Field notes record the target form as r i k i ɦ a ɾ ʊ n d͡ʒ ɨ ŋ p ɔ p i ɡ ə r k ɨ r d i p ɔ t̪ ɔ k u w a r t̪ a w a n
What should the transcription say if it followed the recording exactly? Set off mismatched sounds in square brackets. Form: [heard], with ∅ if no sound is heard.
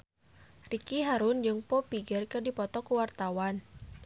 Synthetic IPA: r i k i ɦ a ɾ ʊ n d͡ʒ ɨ ŋ p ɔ p i ɡ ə r k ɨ r d i p ɔ t̪ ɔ k u w a r t̪ a w a n